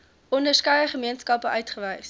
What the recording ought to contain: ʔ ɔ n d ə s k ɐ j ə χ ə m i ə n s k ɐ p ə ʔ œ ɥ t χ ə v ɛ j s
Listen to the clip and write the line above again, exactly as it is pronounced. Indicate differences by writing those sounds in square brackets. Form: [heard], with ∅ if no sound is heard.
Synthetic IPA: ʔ ɔ n d ə s k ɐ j ə χ ə m i ə n s k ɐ p ə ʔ œ ɥ t χ ə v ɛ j s